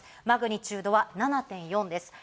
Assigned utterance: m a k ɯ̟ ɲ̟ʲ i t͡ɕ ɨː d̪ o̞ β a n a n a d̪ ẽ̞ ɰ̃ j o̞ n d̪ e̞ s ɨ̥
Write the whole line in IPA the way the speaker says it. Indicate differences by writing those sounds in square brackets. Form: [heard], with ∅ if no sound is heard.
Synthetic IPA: m a [ɡ] ɯ̟ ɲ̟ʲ i t͡ɕ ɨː d̪ o̞ β a n a n a [t̪] ẽ̞ ɰ̃ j [õ̞] n d̪ e̞ s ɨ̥